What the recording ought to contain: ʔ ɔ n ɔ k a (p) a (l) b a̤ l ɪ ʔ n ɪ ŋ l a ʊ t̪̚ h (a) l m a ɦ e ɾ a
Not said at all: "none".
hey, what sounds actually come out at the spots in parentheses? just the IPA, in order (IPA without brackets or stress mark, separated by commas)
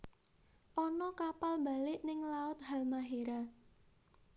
p, l, a